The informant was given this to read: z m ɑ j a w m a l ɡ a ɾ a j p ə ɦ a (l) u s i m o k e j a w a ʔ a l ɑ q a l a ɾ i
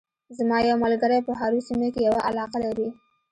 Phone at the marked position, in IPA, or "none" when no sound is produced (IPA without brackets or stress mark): ɾ